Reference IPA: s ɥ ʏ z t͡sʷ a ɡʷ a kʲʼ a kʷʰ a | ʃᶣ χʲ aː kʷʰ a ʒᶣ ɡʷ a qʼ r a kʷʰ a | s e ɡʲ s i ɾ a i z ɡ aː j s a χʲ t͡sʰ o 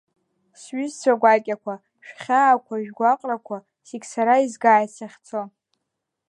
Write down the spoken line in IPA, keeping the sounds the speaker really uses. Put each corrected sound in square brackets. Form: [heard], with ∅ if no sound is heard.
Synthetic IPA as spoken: s ɥ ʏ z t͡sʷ a ɡʷ a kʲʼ a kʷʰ a | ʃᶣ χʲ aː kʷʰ a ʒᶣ ɡʷ a qʼ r a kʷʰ a | s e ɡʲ s [a] ɾ a i z ɡ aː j s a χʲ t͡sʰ o